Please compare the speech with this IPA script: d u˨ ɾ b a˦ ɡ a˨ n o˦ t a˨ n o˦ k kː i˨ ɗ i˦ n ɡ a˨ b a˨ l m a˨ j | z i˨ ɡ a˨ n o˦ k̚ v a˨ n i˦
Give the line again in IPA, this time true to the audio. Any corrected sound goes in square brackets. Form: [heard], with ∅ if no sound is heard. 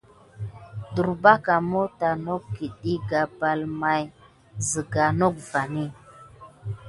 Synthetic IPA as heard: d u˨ ɾ b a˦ [k] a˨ [m] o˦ t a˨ n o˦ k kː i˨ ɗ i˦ [∅] ɡ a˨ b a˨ l m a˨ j | z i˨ ɡ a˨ n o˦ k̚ v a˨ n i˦